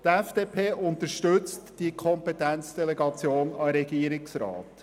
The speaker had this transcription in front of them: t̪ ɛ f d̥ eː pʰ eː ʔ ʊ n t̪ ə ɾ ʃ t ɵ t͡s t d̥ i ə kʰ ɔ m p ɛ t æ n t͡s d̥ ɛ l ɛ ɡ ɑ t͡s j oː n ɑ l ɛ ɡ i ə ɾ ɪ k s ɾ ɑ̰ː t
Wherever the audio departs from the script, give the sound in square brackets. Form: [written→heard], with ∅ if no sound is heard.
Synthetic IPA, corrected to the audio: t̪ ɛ f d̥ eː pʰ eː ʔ ʊ n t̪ ə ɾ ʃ t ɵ t͡s t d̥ i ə kʰ ɔ m p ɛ t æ n t͡s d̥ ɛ l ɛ ɡ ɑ t͡s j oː n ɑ [l→ɾ] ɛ ɡ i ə ɾ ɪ k s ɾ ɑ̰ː t